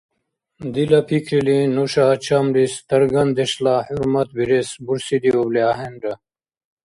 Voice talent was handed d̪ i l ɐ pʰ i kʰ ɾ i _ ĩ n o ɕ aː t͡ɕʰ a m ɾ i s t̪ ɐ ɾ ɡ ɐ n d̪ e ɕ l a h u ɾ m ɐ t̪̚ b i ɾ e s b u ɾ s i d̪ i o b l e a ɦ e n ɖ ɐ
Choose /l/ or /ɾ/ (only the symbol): l